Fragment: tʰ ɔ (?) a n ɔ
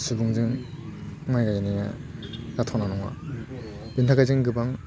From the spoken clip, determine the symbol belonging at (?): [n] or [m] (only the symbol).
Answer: n